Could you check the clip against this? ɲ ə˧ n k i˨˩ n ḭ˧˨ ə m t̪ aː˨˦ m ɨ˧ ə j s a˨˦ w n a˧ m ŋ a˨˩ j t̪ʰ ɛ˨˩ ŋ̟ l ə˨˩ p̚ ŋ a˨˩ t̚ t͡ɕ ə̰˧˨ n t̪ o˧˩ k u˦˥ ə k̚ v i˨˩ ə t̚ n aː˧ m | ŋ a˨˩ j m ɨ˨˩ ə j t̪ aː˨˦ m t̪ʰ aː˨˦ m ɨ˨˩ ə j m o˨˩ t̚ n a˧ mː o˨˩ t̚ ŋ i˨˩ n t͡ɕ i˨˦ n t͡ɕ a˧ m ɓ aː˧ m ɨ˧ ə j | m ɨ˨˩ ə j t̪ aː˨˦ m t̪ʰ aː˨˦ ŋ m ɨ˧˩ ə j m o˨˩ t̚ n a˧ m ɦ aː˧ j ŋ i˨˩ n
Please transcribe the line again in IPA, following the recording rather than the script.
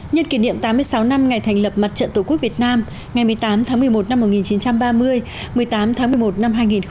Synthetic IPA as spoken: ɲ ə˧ n k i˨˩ n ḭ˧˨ ə m t̪ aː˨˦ m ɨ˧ ə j s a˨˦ w n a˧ m ŋ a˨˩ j t̪ʰ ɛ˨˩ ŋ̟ l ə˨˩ p̚ m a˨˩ t̚ t͡ɕ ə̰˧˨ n t̪ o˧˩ k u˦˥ ə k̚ v i˨˩ ə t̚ n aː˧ m | ŋ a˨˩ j m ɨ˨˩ ə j t̪ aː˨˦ m t̪ʰ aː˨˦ m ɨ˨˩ ə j m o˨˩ t̚ n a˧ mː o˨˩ t̚ ŋ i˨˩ n t͡ɕ i˨˦ n t͡ɕ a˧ m ɓ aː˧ m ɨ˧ ə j | m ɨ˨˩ ə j t̪ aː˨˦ m t̪ʰ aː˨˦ ŋ m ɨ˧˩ ə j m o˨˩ t̚ n a˧ m ɦ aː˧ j ŋ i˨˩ n

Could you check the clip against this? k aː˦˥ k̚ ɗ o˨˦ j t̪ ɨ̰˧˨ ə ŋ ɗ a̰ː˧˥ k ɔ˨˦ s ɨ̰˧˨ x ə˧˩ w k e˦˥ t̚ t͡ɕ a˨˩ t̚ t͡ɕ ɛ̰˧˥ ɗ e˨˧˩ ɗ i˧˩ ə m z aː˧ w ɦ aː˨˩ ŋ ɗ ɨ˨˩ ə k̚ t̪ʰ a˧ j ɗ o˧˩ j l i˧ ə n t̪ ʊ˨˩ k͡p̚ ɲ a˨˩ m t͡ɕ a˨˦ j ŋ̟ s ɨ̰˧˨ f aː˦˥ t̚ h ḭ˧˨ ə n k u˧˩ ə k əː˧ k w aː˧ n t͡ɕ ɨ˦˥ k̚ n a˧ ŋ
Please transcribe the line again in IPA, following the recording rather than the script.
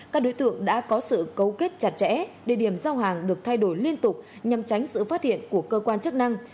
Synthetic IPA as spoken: k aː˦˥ k̚ ɗ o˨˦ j t̪ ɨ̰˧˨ ə ŋ ɗ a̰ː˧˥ k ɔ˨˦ s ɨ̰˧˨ k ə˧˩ w k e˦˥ t̚ t͡ɕ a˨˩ t̚ t͡ɕ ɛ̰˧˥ ɗ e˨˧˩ ɗ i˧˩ ə m z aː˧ w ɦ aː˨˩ ŋ ɗ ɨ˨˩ ə k̚ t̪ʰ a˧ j ɗ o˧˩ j l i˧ ə n t̪ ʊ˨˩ k͡p̚ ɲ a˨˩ m t͡ɕ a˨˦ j ŋ̟ s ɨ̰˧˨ f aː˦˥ t̚ h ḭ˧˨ ə n k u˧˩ ə k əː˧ k w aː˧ n t͡ɕ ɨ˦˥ k̚ n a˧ ŋ

